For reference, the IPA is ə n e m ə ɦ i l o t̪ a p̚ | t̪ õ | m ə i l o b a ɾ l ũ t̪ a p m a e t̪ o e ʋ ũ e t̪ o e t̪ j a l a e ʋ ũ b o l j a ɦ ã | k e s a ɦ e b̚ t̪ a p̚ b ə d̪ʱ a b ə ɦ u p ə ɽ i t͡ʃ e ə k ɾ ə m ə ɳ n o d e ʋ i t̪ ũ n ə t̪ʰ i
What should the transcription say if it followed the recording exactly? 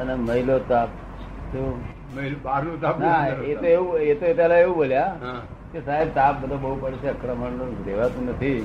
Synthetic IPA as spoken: ə n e m ə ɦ i l o t̪ a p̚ | t̪ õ | m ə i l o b a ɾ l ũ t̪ a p n a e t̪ o e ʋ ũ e t̪ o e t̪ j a l a e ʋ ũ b o l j a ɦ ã | k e s a ɦ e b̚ t̪ a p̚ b ə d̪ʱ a b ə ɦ u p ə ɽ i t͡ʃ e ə k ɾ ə m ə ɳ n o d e ʋ a t̪ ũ n ə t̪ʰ i